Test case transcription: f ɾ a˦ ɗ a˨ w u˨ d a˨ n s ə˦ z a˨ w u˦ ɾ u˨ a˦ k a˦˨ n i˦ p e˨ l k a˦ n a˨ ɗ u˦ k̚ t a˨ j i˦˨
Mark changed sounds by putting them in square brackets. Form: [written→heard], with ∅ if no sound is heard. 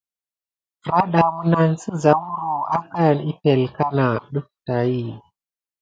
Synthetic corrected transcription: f ɾ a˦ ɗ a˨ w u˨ [d→n] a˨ n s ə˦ z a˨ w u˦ ɾ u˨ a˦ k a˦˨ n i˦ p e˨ l k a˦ n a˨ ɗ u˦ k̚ t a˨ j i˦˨